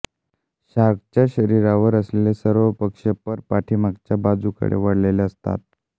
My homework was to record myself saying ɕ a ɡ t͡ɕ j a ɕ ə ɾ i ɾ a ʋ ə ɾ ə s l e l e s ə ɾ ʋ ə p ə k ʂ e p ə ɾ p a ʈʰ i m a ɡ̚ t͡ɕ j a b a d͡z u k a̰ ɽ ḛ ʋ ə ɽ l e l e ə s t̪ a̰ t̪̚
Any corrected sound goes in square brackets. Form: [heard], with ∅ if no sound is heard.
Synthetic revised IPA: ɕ a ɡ t͡ɕ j a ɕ ə ɾ i ɾ a ʋ ə ɾ ə s l e l e s ə ɾ ʋ ə p ə k ʂ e p ə ɾ p a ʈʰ i m a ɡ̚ t͡ɕ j a b a d͡z u k [ə̰] ɽ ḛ ʋ ə ɽ l e l e ə s t̪ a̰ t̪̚